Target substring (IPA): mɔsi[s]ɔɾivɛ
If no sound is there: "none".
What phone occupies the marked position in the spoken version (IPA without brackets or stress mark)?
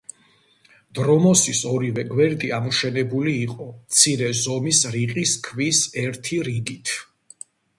s